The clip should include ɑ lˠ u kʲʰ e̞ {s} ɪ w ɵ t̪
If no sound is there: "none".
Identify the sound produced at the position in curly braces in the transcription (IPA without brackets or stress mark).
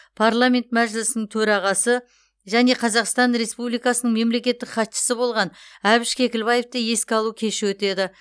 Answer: ʃ